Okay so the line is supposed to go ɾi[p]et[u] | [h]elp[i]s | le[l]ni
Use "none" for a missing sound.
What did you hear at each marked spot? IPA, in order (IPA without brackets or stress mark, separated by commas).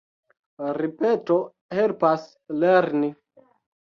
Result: p, o, h, a, ɾ